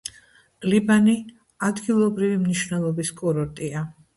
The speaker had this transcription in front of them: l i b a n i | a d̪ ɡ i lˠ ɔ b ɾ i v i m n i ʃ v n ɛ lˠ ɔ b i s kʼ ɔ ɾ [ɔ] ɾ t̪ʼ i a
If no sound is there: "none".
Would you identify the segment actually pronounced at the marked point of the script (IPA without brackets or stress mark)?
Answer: ɔ